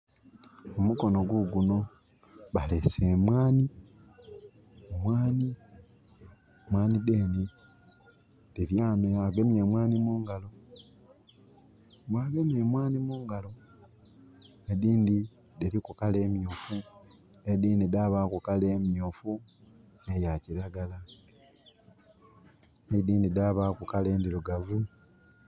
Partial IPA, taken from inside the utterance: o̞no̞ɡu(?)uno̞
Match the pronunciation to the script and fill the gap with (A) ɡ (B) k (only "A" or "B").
A